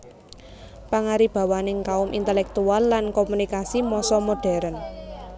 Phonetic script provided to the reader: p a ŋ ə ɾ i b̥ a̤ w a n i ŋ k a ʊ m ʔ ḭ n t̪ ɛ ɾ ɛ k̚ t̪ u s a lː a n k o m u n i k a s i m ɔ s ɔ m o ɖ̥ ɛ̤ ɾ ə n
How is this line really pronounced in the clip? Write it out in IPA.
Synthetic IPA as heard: p a ŋ a ɾ i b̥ a̤ w a n ɪ ŋ k a ʊ m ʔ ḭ n t̪ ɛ l ɛ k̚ t̪ u a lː a n k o m u n i k a s i m ɔ s ɔ m o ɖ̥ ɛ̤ ɾ ə n